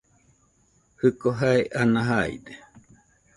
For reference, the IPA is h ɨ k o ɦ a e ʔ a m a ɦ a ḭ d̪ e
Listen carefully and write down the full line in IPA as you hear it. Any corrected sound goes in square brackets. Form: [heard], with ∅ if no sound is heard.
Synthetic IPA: h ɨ k o ɦ a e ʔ a [n] a ɦ a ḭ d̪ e